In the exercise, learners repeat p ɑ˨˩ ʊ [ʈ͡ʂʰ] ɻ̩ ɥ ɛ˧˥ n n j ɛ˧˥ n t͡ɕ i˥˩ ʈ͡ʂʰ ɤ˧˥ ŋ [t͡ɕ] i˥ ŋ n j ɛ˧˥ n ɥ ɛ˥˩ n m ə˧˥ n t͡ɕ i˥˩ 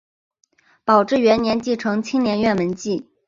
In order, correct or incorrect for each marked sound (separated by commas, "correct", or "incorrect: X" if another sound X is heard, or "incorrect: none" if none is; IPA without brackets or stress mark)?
incorrect: ʈ͡ʂ, incorrect: t͡ɕʰ